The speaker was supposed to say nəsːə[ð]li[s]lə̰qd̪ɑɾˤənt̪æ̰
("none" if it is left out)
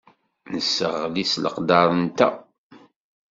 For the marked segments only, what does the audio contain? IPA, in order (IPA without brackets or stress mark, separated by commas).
ʁ, s